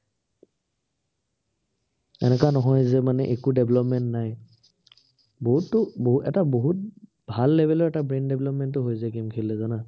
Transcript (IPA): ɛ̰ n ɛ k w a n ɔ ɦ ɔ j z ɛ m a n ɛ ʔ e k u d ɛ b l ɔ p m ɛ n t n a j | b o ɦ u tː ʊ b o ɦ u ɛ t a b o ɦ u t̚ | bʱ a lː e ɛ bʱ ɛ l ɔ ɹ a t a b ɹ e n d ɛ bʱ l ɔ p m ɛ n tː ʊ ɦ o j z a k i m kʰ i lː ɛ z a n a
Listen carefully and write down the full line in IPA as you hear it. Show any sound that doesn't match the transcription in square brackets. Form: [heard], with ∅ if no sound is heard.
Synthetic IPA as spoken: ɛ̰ n ɛ k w a n ɔ ɦ ɔ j z ɛ m a n ɛ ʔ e k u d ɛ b l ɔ p m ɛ n t n a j | b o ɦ u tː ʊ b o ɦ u ɛ t a b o ɦ u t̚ | bʱ a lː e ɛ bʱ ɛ l ɔ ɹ [ɛ] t a b ɹ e n d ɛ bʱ l ɔ p m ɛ n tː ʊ ɦ o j z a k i m kʰ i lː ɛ z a n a